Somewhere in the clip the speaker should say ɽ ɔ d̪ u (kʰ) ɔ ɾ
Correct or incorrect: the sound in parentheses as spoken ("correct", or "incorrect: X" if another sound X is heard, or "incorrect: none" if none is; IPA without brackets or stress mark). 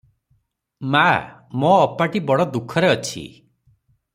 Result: correct